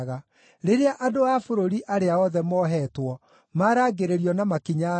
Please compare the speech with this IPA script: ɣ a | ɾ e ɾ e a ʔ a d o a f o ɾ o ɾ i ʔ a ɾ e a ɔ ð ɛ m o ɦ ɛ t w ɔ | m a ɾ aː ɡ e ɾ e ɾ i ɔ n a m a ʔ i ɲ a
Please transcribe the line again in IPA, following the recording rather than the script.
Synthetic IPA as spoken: ɣ a | ɾ e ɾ e a ʔ a d o a f o ɾ o ɾ i ʔ a ɾ e a ɔ ð ɛ m ɔ ɦ ɛ t w ɔ | m a ɾ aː ɡ e ɾ e ɾ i ɔ n a m a k i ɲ a